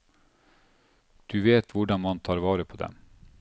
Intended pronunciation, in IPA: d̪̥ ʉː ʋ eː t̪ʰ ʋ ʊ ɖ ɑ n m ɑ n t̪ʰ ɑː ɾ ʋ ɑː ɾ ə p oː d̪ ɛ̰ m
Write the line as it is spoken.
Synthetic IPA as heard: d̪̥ ʉː ʋ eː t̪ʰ ʋ ʊ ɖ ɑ n m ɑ n t̪ʰ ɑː ɾ ʋ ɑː ɾ ə pʰ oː d̪ ɛ̰ m